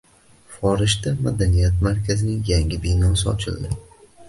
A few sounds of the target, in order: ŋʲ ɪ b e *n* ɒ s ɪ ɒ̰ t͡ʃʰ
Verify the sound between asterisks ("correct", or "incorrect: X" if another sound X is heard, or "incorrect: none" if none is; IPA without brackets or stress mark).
correct